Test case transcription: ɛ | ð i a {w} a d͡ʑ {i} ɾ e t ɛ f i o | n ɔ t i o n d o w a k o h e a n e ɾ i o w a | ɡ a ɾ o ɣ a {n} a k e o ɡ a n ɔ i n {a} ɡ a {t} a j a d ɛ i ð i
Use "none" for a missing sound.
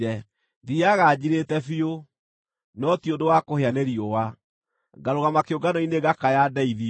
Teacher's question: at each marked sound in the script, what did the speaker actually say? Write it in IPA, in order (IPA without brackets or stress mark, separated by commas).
ɣ, i, m, e, k